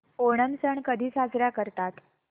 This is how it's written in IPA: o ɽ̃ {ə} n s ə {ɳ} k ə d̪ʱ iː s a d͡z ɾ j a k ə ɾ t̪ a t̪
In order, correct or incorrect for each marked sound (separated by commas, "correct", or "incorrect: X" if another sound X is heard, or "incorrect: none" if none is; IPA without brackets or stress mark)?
correct, correct